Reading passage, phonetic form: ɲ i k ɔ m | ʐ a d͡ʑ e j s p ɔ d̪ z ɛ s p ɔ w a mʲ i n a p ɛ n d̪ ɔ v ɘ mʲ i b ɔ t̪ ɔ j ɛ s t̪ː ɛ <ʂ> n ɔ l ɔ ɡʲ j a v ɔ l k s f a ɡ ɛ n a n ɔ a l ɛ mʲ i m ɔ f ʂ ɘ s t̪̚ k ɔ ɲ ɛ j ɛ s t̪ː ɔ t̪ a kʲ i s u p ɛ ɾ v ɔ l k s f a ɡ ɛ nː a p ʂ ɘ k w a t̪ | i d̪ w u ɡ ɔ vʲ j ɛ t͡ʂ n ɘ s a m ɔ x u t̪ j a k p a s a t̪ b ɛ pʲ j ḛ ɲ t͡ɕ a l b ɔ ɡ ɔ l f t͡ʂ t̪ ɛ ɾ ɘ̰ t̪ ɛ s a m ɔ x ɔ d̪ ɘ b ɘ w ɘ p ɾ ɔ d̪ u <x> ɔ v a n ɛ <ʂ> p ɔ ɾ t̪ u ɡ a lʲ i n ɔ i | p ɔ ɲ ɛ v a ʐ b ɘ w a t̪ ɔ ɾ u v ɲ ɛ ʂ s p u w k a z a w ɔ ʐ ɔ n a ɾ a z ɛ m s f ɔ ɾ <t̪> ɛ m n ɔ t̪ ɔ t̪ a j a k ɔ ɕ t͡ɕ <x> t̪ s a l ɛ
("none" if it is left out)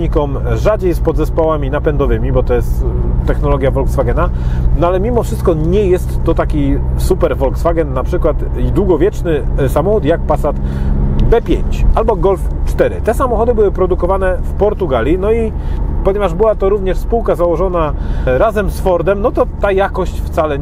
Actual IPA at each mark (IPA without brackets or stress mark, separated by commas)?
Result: x, k, f, d̪, f